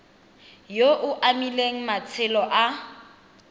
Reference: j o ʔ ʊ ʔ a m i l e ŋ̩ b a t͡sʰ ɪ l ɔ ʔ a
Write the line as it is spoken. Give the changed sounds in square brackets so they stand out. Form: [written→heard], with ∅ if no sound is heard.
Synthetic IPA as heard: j o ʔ ʊ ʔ a m i l e ŋ̩ [b→m] a t͡sʰ ɪ l ɔ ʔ a